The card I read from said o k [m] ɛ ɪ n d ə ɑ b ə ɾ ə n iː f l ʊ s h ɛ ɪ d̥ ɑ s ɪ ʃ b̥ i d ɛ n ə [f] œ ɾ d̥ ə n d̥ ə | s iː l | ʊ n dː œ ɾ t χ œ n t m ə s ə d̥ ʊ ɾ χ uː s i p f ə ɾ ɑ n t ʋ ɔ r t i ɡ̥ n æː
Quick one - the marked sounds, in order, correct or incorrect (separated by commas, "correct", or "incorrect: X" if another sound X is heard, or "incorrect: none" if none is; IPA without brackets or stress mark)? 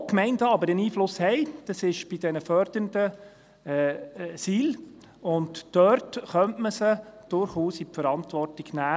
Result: correct, correct